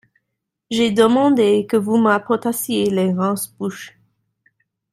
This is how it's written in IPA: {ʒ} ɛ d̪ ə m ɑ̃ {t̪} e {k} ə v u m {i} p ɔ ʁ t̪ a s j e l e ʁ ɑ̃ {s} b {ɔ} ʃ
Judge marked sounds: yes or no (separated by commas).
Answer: yes, no, yes, no, yes, no